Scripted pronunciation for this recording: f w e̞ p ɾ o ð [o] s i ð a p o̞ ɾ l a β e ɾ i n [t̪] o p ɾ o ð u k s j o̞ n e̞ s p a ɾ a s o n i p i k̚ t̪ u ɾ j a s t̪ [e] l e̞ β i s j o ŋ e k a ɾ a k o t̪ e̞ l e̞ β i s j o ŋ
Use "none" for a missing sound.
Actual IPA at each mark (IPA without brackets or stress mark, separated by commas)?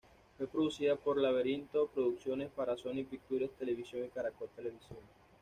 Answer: u, t̪, e